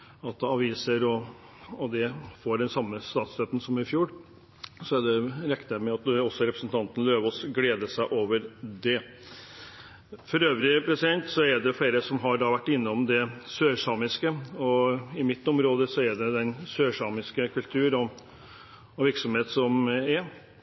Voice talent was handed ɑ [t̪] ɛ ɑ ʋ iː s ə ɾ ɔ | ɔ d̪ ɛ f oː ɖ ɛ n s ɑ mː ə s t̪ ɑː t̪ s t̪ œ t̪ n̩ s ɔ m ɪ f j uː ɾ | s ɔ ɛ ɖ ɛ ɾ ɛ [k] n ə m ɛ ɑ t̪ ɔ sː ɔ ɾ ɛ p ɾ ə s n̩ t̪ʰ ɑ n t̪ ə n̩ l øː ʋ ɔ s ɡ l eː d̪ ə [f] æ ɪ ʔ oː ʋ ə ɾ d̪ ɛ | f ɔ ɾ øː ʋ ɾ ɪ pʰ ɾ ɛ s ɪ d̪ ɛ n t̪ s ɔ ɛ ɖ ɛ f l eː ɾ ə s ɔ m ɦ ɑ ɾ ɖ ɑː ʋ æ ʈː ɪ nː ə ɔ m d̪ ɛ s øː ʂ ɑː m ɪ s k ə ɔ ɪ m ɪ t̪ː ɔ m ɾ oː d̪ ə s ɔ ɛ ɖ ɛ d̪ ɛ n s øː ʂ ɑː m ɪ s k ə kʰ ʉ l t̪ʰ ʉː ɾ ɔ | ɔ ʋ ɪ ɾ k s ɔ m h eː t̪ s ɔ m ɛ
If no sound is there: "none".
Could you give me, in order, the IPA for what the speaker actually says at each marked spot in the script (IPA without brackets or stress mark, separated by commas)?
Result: t̪, k, s